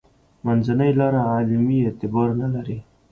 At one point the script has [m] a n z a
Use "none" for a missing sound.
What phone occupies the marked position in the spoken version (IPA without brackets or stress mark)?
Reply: m